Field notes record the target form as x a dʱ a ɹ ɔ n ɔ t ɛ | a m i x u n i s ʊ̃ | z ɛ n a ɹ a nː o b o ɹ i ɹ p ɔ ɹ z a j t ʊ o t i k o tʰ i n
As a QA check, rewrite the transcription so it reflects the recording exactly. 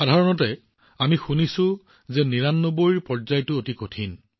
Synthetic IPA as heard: x a dʱ a ɹ ɔ n ɔ t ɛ | a m i x u n i s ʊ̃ | z ɛ n i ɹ a nː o b o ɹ i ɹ p ɔ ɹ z a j t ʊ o t i k o tʰ i n